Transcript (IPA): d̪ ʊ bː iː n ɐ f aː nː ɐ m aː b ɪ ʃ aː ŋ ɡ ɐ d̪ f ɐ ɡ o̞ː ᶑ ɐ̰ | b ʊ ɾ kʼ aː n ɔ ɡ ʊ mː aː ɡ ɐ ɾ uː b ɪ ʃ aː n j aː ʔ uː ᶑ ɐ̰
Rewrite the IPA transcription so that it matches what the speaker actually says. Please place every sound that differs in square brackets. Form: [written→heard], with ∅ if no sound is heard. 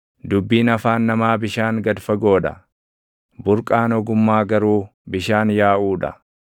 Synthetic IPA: d̪ ʊ bː iː n ɐ f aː nː ɐ m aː b ɪ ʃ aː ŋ ɡ ɐ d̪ f ɐ ɡ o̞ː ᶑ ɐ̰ | b ʊ ɾ kʼ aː n ɔ ɡ ʊ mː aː ɡ ɐ ɾ uː b ɪ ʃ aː n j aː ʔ uː ᶑ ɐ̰